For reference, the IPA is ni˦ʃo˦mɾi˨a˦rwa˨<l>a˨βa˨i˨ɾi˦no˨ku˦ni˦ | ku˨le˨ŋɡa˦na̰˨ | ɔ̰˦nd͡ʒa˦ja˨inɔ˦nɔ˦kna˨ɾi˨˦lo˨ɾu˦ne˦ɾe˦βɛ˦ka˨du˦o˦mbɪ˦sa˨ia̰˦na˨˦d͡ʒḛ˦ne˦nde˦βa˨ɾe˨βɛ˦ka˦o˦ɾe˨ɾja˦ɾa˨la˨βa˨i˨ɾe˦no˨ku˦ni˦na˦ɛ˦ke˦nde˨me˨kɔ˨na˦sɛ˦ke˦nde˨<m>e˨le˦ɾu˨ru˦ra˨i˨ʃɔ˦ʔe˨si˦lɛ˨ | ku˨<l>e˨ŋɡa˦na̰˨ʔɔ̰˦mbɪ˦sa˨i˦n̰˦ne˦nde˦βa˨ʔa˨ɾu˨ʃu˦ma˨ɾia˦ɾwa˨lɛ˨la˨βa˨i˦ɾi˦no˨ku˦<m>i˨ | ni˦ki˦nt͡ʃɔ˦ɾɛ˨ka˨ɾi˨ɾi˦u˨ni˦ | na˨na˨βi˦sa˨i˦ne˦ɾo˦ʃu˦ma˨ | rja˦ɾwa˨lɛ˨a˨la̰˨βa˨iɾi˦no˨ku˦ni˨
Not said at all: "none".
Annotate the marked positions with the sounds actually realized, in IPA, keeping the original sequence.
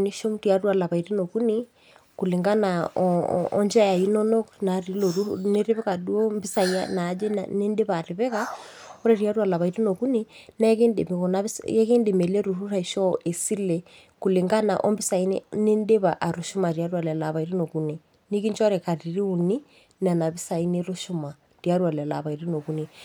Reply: l, m, l, n

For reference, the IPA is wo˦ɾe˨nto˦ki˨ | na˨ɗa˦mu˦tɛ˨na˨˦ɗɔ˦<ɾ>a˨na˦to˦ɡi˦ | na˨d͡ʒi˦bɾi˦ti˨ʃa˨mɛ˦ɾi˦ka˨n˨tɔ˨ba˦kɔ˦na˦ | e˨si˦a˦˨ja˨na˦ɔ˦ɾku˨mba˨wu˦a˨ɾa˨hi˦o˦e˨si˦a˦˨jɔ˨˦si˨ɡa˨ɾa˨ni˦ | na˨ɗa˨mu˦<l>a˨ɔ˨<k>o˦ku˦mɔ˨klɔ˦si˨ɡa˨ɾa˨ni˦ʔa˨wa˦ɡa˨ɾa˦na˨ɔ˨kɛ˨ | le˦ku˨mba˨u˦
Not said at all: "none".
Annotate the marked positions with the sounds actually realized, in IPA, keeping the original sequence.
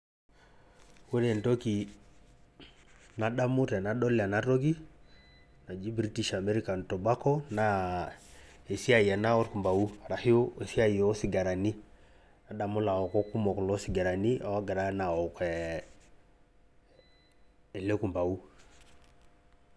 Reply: l, l, k

